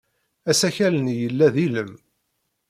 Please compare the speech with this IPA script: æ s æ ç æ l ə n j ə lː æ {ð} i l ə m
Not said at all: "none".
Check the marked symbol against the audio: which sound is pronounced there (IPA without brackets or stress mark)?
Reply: ð